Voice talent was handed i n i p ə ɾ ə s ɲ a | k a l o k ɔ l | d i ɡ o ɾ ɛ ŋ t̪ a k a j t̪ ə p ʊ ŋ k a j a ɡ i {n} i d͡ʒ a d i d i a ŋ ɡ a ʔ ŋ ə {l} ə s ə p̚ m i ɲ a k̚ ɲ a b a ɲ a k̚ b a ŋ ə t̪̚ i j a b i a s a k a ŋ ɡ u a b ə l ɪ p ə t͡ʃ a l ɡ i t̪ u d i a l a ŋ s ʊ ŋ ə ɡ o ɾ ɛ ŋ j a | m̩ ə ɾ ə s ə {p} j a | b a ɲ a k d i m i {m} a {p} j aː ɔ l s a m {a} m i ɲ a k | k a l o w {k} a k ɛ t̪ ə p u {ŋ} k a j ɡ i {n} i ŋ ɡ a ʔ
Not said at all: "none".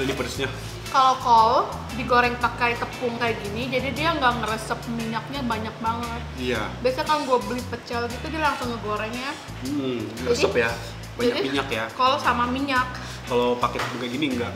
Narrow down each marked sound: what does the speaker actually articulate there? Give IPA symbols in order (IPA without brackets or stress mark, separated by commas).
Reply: n, ɾ, p, ɲ, k, a, p, ŋ, n